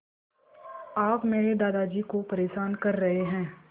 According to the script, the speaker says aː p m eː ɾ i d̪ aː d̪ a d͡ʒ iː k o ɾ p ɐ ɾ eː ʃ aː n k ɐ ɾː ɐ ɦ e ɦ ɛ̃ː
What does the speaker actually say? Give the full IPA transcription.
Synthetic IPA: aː p m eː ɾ e d̪ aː d̪ a d͡ʒ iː k o p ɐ ɾ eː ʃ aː n k ɐ ɾː ɐ ɦ e ɦ ɛ̃ː